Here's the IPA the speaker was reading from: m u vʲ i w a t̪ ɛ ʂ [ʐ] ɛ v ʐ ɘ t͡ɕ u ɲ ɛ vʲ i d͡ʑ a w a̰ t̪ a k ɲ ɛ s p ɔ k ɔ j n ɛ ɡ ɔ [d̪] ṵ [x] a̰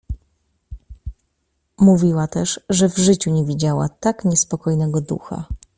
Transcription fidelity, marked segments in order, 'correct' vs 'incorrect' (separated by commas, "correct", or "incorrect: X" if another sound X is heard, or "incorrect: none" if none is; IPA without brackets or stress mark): correct, correct, correct